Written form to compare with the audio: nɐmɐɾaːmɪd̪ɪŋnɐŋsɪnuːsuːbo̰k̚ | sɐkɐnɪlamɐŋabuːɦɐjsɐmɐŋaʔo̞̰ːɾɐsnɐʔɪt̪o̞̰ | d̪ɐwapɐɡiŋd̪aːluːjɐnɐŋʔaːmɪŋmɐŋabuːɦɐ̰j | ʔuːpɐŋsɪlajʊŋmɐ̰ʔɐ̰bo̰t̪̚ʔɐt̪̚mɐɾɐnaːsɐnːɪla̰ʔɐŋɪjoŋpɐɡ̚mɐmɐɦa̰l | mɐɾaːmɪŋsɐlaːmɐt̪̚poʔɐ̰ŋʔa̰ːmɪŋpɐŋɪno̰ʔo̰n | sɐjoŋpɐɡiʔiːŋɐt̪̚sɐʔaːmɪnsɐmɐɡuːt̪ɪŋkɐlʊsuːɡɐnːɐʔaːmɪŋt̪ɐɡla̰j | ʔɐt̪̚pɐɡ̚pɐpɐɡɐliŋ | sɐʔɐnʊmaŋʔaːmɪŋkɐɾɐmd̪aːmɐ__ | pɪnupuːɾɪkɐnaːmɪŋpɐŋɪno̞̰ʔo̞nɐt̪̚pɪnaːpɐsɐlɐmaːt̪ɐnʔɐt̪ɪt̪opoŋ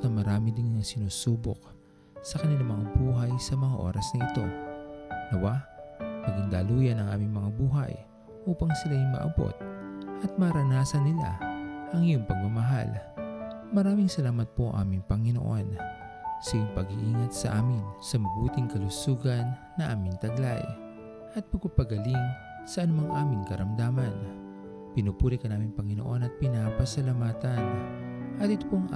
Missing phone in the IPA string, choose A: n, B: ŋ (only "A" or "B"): A